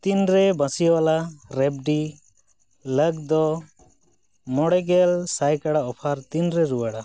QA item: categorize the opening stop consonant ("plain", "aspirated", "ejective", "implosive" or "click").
plain